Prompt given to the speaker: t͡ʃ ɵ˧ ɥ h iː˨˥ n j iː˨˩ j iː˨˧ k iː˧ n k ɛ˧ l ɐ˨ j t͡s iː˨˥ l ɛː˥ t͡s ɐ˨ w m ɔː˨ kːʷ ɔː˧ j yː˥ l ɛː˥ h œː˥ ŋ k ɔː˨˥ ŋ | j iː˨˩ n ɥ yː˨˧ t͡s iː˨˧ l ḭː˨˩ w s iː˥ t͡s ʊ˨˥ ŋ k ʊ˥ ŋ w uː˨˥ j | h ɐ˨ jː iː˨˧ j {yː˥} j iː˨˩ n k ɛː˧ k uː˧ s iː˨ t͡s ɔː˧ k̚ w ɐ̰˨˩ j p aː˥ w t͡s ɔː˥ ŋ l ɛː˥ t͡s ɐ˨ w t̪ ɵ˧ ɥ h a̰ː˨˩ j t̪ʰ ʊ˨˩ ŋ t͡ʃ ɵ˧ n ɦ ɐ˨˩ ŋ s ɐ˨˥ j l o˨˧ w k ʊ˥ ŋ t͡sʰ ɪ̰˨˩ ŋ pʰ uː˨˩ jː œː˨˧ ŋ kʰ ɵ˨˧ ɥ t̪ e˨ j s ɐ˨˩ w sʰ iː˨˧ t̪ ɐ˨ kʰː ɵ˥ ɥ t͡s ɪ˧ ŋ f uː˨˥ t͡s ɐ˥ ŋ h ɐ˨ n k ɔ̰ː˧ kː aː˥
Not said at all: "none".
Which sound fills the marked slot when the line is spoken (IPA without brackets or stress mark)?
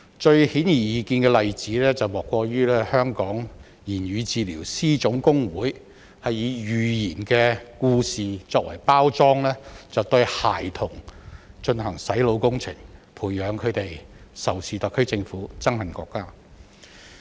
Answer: yː˨